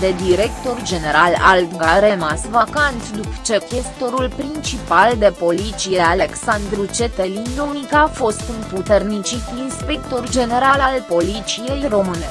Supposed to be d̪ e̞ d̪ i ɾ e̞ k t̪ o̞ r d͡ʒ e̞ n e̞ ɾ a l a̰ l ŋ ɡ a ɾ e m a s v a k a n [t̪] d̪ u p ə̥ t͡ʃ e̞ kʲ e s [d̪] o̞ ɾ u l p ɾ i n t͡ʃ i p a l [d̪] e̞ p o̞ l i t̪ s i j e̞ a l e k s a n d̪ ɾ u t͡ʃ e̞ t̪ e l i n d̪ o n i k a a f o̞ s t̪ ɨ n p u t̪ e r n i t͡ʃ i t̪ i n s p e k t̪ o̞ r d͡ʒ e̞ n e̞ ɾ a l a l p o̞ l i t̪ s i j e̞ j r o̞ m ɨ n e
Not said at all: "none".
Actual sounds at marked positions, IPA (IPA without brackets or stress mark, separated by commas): t̪, t̪, d̪